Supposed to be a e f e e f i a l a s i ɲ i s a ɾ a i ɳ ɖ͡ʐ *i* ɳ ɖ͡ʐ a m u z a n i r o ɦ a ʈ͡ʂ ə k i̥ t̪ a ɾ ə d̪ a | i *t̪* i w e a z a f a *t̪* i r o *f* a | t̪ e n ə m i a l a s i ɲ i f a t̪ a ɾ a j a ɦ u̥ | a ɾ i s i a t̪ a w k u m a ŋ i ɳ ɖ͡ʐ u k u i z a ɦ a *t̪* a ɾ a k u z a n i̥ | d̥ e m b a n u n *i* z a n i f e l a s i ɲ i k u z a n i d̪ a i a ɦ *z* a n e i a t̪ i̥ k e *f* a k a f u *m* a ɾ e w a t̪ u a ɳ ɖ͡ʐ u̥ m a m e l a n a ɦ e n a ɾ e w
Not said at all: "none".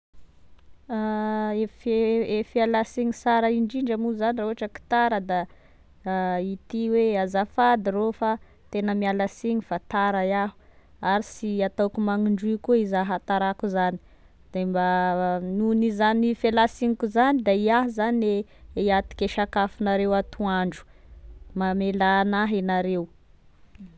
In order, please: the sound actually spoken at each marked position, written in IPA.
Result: i, t̪, d̪, f, t̪, i, z, ʃ, n

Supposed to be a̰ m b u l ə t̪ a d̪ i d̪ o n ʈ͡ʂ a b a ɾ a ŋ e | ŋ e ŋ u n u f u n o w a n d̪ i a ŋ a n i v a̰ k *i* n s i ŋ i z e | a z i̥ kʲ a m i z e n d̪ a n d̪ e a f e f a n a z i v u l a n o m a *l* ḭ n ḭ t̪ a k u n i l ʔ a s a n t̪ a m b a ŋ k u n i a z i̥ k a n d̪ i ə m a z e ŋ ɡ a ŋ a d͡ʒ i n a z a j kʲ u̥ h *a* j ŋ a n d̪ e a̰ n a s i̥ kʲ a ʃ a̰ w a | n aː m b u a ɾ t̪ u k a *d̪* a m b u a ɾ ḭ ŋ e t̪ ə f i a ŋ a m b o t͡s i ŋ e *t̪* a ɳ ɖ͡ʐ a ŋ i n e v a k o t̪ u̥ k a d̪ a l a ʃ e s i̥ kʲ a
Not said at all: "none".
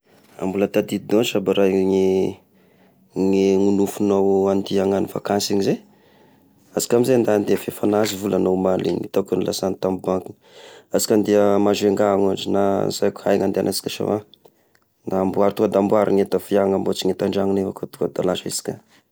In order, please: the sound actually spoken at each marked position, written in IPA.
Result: a, l, a, d̪, t̪

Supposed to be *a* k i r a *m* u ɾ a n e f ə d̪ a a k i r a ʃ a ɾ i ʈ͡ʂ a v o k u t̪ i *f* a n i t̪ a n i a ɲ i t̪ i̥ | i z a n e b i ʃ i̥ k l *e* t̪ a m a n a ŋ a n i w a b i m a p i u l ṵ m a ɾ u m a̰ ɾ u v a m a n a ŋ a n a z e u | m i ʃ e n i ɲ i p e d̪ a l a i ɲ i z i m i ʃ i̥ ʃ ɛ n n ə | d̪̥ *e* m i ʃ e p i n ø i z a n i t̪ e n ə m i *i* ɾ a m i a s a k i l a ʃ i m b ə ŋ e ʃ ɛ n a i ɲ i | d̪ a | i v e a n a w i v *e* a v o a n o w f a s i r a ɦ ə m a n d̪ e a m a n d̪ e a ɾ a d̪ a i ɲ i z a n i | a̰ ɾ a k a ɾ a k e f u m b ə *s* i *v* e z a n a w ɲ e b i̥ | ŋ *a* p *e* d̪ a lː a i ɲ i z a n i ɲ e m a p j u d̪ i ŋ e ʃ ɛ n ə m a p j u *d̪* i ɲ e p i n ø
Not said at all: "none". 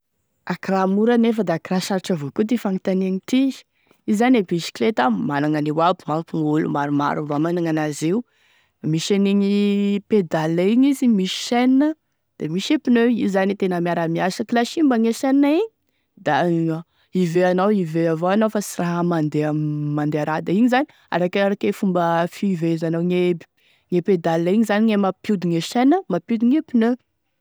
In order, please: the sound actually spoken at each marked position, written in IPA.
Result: a, m, f, e, e, a, e, f, v, e, e, d̪

